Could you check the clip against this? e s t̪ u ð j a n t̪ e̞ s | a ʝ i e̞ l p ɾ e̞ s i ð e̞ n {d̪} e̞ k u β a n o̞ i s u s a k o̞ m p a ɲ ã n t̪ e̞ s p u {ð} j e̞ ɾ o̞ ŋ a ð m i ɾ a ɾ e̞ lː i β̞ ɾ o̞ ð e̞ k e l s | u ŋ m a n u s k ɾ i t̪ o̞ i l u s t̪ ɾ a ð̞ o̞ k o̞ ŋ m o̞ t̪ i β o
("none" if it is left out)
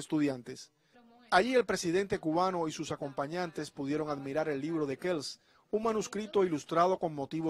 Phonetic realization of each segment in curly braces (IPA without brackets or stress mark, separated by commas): t̪, ð